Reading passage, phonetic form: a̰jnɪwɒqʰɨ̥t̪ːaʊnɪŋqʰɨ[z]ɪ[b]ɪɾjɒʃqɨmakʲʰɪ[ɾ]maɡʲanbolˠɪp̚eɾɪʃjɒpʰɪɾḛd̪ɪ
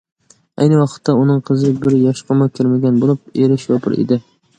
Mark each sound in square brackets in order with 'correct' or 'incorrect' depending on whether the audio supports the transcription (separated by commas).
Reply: correct, correct, correct